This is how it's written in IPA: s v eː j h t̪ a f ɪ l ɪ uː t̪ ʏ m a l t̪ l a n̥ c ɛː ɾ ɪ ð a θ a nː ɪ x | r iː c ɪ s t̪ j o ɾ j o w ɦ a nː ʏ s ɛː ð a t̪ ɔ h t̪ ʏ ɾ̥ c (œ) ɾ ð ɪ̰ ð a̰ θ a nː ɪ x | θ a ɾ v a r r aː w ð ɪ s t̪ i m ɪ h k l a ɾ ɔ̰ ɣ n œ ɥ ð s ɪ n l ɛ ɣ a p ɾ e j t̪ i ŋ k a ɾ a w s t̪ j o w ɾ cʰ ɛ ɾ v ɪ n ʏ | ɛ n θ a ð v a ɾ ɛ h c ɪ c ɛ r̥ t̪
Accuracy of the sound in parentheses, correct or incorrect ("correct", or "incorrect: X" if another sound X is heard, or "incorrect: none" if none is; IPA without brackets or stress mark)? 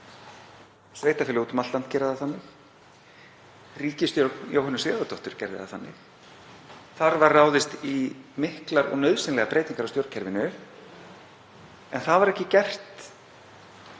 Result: incorrect: ɛ